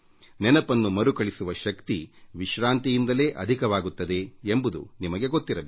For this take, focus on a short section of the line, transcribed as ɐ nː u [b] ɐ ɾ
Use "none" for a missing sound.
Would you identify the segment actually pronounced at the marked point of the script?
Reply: m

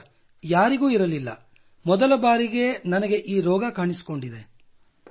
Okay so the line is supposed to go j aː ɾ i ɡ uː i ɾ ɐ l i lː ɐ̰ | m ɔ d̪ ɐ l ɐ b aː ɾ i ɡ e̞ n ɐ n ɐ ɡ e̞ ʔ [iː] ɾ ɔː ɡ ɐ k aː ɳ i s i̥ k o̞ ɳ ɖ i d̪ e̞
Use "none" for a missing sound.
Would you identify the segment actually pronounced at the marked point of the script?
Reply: iː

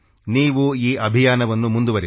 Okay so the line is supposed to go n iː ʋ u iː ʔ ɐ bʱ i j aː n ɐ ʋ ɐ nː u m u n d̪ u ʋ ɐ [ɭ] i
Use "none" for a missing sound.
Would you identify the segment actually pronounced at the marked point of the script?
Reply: ɾ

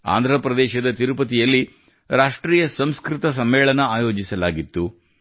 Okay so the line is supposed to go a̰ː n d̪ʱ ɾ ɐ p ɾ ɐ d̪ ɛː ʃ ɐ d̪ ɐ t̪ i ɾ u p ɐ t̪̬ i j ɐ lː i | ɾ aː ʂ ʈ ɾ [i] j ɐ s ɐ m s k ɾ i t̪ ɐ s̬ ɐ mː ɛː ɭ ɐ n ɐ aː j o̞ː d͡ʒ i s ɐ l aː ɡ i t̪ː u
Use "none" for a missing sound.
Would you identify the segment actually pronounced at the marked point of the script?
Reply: iː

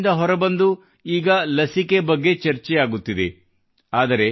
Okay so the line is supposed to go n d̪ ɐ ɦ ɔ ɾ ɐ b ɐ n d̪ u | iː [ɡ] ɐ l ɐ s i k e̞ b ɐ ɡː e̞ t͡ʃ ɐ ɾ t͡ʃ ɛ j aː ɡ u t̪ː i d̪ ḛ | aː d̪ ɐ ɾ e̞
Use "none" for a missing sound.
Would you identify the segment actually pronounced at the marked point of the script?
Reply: ɡ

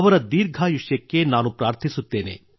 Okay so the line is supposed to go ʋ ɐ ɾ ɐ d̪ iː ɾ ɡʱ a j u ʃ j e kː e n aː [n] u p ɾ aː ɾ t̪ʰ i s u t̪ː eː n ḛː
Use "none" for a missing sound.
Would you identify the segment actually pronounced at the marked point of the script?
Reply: n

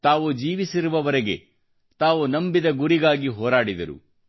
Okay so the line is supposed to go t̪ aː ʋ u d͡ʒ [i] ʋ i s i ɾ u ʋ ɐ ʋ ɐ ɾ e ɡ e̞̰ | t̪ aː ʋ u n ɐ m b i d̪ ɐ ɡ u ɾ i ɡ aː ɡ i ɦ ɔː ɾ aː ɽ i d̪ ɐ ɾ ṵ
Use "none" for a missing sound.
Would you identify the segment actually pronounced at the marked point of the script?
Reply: iː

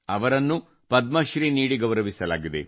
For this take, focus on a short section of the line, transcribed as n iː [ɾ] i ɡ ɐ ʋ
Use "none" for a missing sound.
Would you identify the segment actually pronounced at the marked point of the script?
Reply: ɽ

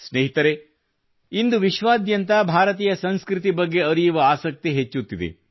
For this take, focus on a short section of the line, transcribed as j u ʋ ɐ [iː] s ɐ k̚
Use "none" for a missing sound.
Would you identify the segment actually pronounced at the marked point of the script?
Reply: aː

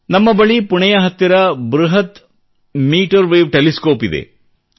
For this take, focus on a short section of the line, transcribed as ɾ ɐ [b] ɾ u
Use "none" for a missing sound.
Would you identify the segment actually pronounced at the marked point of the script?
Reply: b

